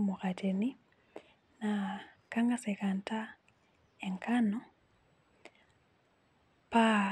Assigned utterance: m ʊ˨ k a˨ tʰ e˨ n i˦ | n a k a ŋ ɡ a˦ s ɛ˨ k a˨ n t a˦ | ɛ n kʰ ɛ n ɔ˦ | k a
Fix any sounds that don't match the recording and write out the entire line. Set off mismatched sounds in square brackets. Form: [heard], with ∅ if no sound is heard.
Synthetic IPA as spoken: m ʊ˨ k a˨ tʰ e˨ n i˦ | n a k a ŋ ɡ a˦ s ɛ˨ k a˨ n t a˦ | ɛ [ŋ] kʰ [a] n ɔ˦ | [p] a